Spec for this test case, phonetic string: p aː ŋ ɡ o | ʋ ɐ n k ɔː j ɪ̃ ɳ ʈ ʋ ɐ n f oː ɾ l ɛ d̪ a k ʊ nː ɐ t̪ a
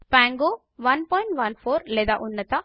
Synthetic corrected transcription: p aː ŋ ɡ o | ʋ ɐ n p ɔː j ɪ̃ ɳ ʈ ʋ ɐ n f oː ɾ l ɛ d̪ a ʔ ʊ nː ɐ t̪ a

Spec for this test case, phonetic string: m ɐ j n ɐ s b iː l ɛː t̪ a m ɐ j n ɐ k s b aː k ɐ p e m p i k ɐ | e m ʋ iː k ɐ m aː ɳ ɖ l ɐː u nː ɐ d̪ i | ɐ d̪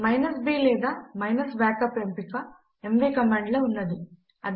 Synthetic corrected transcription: m ɐ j n ɐ s b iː l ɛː d̪ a m ɐ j n ɐ s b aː k ɐ p e m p i k ɐ | e m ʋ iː k ɐ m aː ɳ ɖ l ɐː u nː ɐ d̪ i | ɐ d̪

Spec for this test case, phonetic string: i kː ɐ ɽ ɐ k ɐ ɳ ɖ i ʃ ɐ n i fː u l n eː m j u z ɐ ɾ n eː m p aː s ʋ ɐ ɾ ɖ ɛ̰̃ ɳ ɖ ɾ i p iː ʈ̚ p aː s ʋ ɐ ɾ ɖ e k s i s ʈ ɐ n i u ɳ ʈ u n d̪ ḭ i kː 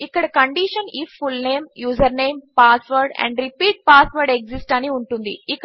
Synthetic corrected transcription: i kː ɐ ɽ ɐ k ɐ ɳ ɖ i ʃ ɐ n i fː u l n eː m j uː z ɐ ɾ n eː m p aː s ʋ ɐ ɾ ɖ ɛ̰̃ ɳ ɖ ɾ i p iː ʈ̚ p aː s ʋ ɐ ɾ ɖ e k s i s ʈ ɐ n i u ɳ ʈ u n d̪ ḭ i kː

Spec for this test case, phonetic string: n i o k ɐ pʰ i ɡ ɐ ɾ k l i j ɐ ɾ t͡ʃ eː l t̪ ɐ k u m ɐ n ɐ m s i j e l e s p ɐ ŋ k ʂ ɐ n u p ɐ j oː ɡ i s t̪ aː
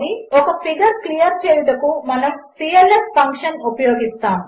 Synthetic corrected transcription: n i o k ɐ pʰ i ɡ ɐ ɾ k l i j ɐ ɾ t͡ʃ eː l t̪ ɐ k u m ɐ n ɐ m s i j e l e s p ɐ ŋ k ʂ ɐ n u p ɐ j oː ɡ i s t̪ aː

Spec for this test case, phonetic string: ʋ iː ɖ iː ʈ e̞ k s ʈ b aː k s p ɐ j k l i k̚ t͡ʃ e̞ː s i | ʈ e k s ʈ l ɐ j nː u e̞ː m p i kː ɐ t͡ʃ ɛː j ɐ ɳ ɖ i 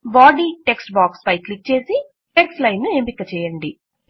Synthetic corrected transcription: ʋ aː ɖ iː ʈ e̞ k s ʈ b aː k s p ɐ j k l i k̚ t͡ʃ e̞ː s i | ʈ e k s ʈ l ɐ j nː u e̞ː m p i kː ɐ t͡ʃ ɛː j ɐ ɳ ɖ i

